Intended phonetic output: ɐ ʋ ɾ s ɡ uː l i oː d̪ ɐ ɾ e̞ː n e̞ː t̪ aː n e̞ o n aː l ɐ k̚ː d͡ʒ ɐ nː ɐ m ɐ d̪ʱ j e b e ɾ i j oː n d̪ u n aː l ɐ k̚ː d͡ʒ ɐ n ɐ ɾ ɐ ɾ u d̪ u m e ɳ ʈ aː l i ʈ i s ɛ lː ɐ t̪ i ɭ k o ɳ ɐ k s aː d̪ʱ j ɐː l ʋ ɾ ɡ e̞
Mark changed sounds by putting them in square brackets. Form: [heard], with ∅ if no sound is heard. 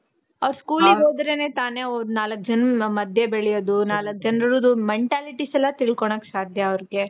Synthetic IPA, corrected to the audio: ɐ ʋ ɾ s [k] uː l i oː d̪ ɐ ɾ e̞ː n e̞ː t̪ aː n e̞ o n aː l ɐ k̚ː d͡ʒ ɐ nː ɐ m ɐ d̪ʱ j e b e [ɭ] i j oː [∅] d̪ u n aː l ɐ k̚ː d͡ʒ ɐ n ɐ ɾ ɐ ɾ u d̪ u m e ɳ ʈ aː l i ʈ i s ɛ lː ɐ t̪ i ɭ k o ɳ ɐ k s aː d̪ʱ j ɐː [∅] ʋ ɾ ɡ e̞